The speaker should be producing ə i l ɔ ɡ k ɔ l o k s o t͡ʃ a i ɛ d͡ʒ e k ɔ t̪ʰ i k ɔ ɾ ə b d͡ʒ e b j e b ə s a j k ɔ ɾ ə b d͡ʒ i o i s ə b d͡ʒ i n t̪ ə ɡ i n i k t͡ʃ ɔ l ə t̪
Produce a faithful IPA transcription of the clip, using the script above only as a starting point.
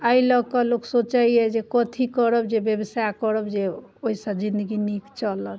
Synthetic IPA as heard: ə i l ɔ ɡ k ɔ l o k s o t͡ʃ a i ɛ d͡ʒ e k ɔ t̪ʰ i k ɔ ɾ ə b d͡ʒ e b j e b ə s a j k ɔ ɾ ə b d͡ʒ e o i s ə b d͡ʒ i n d̪ ə ɡ i n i k t͡ʃ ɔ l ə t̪

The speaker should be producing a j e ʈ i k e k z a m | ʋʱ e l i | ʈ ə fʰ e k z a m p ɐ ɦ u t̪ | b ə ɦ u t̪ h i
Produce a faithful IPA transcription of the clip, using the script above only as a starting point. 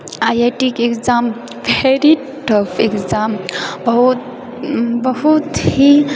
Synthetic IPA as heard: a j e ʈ i k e k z a m | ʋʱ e ɾ i | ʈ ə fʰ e k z a m b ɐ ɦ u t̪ | b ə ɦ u t̪ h i

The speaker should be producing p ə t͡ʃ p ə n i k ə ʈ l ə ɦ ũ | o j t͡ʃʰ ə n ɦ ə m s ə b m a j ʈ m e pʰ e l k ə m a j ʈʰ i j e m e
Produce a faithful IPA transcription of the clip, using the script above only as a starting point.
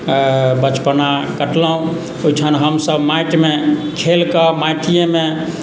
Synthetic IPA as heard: b ə t͡ʃ p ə n a k ə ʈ l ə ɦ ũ | o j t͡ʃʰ ə n ɦ ə m s ə b m a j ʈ m e kʰ e l k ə m a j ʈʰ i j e m e

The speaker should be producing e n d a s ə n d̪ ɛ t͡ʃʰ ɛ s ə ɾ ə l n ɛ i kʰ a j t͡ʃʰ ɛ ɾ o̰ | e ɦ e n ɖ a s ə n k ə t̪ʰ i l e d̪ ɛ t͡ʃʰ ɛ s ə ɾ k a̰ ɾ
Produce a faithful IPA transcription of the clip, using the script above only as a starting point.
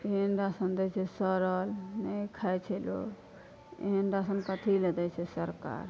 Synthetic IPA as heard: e n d a s ə n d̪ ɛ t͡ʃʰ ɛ s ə ɾ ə l n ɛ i kʰ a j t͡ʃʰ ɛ l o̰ | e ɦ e n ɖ a s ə n k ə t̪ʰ i l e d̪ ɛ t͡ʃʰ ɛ s ə ɾ k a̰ ɾ

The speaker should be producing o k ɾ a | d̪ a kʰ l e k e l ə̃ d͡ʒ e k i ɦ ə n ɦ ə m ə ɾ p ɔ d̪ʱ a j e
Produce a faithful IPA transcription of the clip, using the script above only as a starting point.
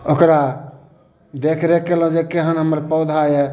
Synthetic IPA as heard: o k ɾ a | d̪ e kʰ ɾ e k e l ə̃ d͡ʒ e k e ɦ ə n ɦ ə m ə ɾ p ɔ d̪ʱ a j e

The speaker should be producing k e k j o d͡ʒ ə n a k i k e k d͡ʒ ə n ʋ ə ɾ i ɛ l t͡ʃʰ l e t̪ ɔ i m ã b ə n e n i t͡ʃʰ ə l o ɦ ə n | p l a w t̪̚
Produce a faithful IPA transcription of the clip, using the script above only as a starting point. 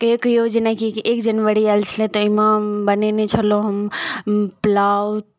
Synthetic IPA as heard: k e k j o d͡ʒ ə n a k i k e k d͡ʒ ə n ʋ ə ɾ i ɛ l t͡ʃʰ l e t̪ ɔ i m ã b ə n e n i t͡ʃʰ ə l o ɦ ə m | p l a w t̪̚

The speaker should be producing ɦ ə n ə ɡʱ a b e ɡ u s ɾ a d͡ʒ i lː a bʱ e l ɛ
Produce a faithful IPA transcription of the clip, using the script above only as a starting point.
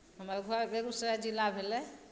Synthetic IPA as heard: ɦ ə m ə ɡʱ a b e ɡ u s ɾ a d͡ʒ i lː a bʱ e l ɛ

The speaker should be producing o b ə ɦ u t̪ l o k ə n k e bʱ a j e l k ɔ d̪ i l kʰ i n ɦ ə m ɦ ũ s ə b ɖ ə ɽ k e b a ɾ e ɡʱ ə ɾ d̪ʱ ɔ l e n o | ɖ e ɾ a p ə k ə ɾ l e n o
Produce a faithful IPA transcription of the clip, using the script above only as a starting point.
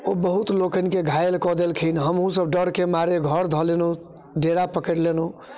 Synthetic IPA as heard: o b ə ɦ u t̪ l o k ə n k e ɡʱ a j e l k ɔ d̪ e l kʰ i n ɦ ə m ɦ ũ s ə b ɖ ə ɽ k e m a ɾ e ɡʱ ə ɾ d̪ʱ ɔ l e n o | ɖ e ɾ a p ə k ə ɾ l e n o

